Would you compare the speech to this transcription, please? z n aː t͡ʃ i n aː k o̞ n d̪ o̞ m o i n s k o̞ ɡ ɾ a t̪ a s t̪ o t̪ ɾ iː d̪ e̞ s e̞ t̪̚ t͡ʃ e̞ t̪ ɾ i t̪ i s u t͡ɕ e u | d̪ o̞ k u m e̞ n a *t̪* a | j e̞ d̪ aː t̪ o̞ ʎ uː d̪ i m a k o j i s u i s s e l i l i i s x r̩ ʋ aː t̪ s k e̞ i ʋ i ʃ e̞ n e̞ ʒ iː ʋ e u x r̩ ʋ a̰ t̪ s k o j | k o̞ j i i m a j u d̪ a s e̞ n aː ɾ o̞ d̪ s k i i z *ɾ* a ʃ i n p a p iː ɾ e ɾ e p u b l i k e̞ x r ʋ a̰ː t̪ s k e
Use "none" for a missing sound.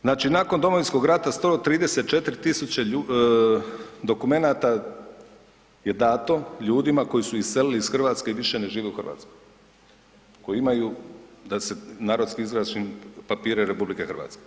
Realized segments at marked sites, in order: t̪, ɾ

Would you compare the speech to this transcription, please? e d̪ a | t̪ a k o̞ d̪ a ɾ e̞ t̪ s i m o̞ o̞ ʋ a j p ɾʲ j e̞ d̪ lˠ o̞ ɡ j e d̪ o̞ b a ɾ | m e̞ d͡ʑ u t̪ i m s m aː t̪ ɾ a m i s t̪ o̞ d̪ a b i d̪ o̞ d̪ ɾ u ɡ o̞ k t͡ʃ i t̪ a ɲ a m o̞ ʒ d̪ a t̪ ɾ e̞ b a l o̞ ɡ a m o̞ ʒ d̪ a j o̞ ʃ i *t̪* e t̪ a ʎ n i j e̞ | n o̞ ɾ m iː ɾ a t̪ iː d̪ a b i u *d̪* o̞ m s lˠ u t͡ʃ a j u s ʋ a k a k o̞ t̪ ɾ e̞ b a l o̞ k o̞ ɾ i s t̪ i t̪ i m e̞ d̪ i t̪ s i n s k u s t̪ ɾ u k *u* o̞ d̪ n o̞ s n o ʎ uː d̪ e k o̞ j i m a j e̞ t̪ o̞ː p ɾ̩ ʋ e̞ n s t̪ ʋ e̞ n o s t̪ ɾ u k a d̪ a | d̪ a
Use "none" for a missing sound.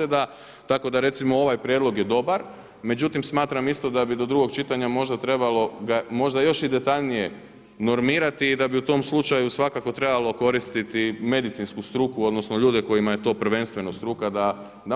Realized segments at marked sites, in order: d̪, t̪, u

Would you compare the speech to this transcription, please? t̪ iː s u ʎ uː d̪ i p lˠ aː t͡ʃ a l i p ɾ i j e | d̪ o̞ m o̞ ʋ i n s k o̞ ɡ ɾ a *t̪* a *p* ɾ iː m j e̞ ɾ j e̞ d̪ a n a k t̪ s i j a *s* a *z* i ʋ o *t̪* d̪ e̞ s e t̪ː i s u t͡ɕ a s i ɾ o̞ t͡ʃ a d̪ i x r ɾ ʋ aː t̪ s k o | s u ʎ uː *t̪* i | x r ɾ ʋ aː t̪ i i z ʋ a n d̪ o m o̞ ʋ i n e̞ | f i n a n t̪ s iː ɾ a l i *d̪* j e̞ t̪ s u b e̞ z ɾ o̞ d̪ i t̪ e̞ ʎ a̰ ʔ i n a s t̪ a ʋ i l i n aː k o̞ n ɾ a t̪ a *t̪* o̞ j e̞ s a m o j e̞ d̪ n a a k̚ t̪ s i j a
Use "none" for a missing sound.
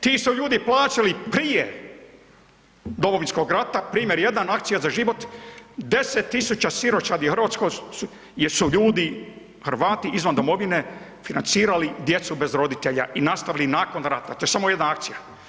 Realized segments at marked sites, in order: t̪, p, z, ʒ, t̪, d̪, d̪, t̪

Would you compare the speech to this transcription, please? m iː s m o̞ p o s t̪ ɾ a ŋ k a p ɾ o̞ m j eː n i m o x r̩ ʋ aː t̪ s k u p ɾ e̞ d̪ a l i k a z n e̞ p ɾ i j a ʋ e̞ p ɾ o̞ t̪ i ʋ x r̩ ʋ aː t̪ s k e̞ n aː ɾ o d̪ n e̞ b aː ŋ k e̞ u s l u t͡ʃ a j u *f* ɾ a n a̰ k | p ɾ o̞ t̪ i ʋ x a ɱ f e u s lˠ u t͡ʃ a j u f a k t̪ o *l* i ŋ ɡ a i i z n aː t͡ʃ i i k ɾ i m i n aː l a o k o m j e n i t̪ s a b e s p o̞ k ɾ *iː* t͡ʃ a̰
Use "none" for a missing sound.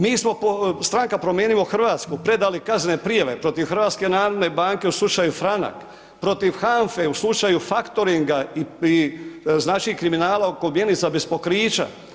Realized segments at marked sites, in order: f, ɾ, iː

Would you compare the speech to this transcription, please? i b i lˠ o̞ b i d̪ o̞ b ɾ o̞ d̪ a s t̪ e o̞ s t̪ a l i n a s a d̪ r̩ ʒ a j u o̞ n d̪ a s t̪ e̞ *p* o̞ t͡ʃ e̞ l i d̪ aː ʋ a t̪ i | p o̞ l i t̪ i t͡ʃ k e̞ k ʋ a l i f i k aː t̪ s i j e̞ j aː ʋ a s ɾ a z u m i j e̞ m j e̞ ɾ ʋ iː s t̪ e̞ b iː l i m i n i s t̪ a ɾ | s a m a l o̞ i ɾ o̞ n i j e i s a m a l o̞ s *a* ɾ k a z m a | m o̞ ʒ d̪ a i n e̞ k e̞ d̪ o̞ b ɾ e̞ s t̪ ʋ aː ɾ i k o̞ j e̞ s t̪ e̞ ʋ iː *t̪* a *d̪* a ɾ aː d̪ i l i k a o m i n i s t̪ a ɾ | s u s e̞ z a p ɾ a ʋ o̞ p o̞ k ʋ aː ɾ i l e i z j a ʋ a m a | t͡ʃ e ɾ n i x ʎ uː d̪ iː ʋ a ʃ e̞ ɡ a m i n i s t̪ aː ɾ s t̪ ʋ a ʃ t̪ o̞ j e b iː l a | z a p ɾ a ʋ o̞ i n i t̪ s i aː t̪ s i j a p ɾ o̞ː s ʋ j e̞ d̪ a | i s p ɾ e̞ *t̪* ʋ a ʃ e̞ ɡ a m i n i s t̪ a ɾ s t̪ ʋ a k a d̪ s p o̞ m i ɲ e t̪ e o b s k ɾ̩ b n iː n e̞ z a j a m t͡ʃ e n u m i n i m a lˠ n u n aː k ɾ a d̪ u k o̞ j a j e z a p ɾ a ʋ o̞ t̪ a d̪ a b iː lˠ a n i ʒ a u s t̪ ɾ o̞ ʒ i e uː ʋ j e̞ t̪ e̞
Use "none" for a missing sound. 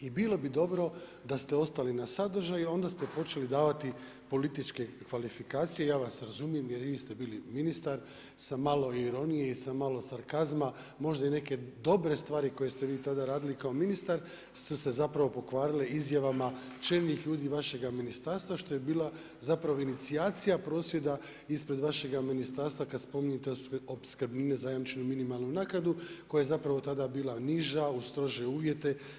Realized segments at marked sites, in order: p, a, t̪, d̪, d̪

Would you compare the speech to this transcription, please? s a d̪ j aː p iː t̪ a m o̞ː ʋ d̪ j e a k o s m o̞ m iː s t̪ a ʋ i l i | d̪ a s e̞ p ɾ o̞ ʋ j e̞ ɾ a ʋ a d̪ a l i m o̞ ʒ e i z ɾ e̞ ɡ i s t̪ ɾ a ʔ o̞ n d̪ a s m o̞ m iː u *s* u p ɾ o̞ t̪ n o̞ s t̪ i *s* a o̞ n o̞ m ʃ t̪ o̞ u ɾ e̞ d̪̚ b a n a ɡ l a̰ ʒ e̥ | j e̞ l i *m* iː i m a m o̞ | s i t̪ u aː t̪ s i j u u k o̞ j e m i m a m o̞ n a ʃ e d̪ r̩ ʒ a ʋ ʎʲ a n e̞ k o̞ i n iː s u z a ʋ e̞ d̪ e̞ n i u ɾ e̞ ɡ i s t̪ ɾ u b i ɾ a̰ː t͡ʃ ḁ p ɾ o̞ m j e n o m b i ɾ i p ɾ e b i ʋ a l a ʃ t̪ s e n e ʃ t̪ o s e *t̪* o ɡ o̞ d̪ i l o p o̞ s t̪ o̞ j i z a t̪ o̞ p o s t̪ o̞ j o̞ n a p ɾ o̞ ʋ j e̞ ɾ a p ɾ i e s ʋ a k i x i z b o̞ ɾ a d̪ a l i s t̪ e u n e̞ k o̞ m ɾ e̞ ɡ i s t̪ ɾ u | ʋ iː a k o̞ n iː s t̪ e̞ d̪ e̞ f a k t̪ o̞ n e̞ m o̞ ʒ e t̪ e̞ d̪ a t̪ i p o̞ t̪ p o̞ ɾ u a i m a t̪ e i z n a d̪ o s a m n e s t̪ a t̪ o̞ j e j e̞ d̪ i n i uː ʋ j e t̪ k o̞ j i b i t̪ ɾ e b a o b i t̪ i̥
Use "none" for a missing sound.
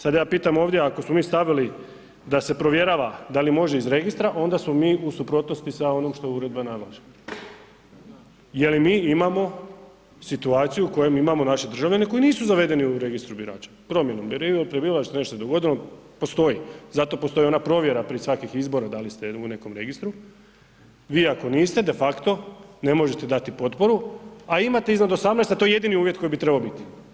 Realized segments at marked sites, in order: s, s, m, d̪

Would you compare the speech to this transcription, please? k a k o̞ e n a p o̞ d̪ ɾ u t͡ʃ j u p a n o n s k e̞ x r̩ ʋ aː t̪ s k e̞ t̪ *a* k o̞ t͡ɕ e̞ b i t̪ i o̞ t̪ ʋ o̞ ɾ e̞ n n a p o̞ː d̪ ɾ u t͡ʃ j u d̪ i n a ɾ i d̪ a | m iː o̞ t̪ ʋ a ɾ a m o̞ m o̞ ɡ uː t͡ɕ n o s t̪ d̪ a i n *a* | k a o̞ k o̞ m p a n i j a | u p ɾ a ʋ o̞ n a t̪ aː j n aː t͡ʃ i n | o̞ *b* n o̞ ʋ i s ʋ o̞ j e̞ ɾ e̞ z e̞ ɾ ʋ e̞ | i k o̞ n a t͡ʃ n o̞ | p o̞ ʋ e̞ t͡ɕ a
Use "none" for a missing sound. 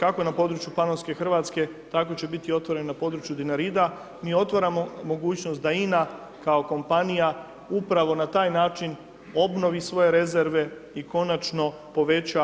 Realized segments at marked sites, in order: a, a, b

